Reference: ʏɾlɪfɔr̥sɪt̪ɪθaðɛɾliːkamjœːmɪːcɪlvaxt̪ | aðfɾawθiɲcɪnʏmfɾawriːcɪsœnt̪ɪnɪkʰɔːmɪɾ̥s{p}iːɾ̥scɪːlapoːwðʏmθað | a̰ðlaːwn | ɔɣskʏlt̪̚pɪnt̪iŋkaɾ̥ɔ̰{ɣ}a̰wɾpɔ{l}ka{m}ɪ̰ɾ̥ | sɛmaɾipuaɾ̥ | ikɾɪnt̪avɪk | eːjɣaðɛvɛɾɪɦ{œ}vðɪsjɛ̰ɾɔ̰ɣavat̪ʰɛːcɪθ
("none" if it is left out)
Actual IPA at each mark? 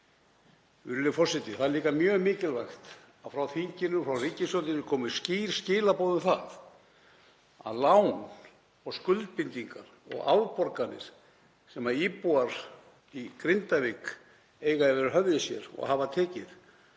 c, ɣ, ɾ, n, œ

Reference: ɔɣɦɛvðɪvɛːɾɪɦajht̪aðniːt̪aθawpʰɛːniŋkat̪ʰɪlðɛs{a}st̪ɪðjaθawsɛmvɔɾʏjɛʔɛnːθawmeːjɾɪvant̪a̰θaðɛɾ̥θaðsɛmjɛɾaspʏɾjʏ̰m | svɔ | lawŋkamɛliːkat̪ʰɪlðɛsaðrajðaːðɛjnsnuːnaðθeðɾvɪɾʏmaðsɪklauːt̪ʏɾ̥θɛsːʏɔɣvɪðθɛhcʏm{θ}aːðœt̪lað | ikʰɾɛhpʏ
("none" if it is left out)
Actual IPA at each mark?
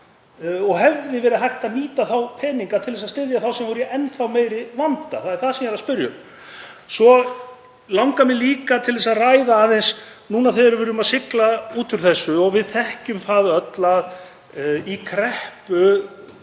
a, θ

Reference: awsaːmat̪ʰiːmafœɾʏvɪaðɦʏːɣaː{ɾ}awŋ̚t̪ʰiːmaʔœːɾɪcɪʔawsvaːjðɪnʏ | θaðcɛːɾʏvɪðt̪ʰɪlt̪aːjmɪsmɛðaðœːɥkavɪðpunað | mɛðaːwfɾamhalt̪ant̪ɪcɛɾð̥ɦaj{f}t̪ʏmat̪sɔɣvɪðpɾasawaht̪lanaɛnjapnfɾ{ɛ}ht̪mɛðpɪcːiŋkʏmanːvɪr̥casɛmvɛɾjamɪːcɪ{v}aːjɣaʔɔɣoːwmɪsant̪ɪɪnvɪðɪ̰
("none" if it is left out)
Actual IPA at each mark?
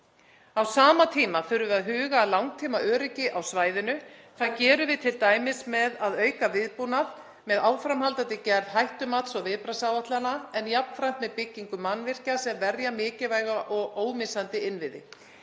l, h, a, v

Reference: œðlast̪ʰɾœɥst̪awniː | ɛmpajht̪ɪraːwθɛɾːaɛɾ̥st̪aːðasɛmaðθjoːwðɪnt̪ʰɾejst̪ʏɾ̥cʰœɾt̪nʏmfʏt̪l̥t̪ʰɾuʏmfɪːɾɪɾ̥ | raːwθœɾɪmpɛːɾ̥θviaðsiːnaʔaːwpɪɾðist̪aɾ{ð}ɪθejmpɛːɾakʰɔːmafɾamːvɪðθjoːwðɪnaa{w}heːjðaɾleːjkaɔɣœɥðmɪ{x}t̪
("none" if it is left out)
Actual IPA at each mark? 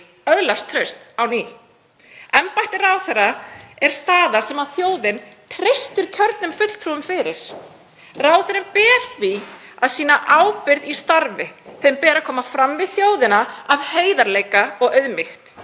v, v, x

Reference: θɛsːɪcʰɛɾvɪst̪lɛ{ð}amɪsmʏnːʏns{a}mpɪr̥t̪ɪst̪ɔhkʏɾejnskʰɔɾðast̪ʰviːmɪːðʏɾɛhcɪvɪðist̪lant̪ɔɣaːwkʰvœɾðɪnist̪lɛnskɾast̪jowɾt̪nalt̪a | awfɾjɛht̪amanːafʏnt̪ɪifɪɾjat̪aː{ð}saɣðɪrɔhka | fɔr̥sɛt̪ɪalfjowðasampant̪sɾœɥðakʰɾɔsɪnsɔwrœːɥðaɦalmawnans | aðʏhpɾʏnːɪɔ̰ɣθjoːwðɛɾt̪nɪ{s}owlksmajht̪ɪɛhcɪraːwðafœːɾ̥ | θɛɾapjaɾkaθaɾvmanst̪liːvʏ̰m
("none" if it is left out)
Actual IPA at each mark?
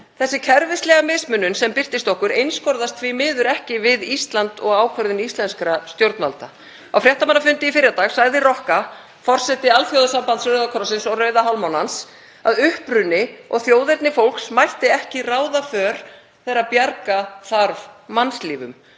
ɣ, ɛ, ɣ, f

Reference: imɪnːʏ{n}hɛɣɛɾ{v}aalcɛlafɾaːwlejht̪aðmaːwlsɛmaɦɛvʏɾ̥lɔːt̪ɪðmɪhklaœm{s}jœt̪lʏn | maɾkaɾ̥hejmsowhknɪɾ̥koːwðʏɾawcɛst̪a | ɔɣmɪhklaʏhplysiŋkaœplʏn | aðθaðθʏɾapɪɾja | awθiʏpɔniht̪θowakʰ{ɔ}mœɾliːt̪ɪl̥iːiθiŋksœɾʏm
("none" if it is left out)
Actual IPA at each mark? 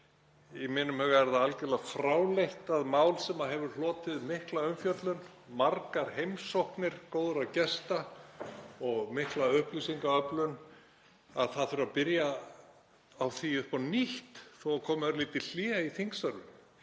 m, ð, f, ɔː

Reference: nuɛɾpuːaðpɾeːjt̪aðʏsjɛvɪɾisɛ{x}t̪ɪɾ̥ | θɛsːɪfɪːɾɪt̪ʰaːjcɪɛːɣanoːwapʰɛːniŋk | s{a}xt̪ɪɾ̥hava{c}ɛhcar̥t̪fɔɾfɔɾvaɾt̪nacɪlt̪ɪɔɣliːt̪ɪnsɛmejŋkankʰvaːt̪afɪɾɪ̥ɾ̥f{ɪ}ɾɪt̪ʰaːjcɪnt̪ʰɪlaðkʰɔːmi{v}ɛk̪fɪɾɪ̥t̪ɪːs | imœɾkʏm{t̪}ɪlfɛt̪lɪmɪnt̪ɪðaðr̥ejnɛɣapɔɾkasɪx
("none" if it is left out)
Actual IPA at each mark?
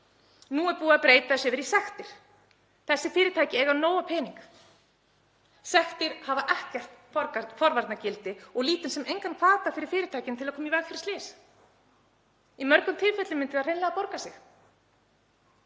x, ɛ, ʔ, ɪː, v, t̪ʰ

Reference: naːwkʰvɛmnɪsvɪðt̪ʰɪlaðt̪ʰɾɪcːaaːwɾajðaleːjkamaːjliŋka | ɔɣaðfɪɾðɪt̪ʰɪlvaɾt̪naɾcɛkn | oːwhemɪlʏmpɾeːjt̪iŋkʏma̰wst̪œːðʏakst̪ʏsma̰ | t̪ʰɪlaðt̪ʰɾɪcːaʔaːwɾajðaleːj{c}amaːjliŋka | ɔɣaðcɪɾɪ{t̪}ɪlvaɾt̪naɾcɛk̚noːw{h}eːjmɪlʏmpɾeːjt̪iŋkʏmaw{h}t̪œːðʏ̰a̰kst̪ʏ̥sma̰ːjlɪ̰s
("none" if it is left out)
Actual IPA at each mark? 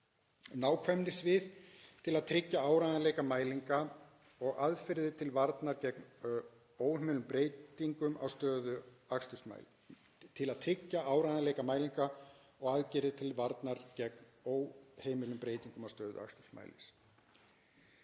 k, t̪ʰ, h, s

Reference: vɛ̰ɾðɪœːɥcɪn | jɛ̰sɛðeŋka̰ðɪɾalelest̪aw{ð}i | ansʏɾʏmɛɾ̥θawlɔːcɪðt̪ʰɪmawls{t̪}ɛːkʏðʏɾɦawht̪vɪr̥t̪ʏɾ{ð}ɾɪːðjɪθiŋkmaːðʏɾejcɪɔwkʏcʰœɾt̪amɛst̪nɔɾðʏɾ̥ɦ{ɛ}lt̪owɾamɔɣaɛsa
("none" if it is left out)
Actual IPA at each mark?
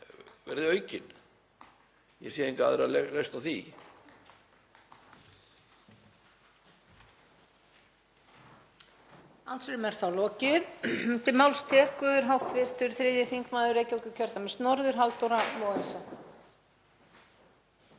θ, t̪ʰ, θ, a

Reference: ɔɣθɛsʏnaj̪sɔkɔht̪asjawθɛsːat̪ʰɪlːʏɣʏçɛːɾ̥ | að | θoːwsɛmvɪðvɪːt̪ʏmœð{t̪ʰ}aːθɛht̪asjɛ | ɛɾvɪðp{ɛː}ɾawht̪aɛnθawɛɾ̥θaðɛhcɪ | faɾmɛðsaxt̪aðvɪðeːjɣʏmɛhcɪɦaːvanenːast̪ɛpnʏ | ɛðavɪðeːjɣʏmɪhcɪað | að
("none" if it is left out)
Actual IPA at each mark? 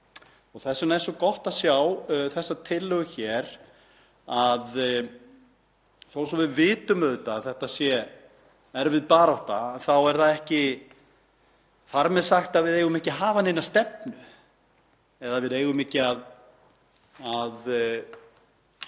t̪, aː

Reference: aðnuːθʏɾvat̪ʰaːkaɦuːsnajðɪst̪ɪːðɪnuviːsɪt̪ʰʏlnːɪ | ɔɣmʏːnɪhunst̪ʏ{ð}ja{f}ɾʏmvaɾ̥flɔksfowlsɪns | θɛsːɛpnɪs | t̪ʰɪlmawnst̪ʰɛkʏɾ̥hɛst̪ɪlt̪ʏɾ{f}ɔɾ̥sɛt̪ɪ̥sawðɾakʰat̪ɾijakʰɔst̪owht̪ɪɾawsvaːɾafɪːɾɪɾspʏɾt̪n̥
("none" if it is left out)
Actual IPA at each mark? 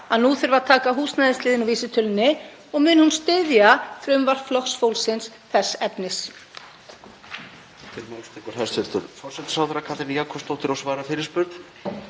ð, θ, f

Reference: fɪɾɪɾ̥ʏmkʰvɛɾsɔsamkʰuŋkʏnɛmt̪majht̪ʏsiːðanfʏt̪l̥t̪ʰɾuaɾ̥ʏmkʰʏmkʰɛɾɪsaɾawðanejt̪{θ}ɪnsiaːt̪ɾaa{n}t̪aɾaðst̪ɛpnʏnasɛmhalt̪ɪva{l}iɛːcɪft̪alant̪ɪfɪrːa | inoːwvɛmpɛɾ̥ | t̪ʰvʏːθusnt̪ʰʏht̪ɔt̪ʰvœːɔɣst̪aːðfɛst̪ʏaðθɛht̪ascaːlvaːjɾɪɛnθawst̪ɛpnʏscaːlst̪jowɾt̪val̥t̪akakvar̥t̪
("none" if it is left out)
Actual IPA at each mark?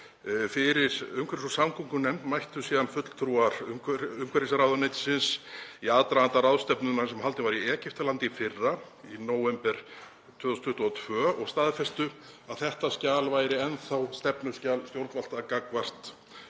s, n, ɾ

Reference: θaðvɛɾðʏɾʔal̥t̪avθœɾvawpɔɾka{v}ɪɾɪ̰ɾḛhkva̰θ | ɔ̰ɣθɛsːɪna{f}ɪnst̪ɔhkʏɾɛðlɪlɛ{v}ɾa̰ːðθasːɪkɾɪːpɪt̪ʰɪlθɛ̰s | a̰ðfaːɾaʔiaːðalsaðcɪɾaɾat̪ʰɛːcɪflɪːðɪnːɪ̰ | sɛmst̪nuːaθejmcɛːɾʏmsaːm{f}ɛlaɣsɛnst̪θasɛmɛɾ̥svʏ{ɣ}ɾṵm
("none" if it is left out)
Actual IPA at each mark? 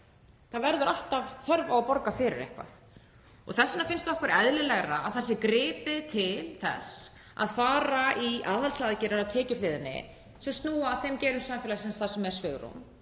f, f, ɣ, f, ɣ

